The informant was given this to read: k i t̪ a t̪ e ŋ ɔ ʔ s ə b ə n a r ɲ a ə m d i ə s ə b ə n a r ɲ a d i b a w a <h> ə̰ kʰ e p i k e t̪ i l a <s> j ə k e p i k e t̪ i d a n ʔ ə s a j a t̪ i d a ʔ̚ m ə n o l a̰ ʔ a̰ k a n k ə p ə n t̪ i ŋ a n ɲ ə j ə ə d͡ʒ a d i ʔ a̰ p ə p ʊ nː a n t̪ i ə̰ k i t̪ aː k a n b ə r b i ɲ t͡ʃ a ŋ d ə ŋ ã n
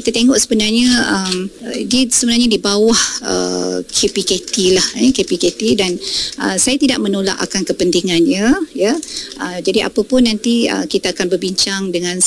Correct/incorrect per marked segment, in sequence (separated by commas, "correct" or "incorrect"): correct, incorrect